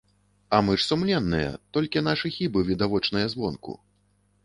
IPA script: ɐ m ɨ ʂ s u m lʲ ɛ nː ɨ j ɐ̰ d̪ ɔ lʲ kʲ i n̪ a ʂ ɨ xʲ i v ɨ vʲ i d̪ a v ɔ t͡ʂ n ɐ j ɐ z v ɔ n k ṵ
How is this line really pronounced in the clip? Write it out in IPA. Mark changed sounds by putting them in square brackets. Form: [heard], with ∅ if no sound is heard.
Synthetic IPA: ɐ m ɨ ʂ s u m lʲ ɛ nː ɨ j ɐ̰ [t̪] ɔ lʲ kʲ i n̪ a ʂ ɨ xʲ i [b] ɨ vʲ i d̪ a v ɔ t͡ʂ n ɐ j ɐ z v ɔ n k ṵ